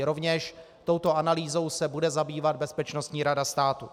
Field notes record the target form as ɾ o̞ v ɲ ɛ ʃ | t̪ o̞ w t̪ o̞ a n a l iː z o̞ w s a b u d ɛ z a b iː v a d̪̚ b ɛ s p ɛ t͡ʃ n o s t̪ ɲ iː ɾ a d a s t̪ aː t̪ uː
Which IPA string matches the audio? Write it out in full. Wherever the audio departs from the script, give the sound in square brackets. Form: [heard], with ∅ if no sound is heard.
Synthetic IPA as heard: ɾ o̞ v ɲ ɛ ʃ | t̪ o̞ w t̪ o̞ a n a l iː z o̞ w s [ɛ] b u d ɛ z a b iː v a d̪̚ b ɛ s p ɛ t͡ʃ n o s t̪ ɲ iː ɾ a d a s t̪ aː t̪ [u]